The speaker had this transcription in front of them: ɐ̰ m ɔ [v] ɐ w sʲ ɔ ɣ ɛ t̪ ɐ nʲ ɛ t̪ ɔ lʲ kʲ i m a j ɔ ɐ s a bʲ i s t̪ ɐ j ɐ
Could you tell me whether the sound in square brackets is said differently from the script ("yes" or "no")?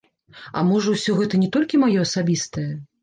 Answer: yes